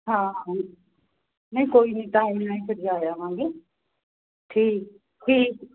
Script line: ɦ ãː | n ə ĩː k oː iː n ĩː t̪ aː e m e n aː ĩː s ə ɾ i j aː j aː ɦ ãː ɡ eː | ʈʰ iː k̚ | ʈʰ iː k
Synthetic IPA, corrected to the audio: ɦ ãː | n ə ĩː k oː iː n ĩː t̪ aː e m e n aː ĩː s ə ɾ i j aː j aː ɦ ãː ɡ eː | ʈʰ iː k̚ | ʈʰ iː k